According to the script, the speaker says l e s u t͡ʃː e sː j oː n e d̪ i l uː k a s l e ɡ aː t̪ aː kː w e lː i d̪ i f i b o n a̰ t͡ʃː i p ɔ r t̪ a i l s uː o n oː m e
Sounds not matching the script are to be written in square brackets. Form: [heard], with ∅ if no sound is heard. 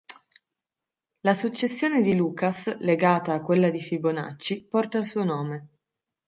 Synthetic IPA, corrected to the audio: l [a] s u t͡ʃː e sː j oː n e d̪ i l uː k a s l e ɡ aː t̪ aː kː w e lː [a] d̪ i f i b o n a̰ t͡ʃː i p ɔ r t̪ a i l s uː o n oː m e